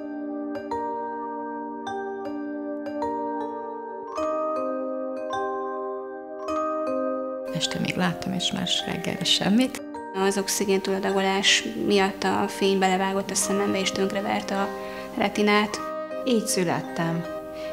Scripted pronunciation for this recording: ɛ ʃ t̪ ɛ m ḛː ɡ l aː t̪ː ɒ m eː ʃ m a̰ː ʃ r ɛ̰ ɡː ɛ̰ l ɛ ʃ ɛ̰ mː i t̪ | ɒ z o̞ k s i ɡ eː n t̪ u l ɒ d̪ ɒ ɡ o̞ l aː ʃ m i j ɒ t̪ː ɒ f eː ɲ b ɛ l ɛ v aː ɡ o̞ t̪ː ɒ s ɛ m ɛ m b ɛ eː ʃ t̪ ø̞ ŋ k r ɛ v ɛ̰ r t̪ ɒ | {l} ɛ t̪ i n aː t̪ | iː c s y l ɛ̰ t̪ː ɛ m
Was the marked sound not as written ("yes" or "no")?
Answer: yes